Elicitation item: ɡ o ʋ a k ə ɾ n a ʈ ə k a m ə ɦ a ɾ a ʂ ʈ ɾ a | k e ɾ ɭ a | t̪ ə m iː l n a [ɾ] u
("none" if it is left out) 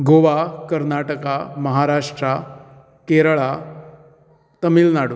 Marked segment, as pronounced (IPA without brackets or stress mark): ɽ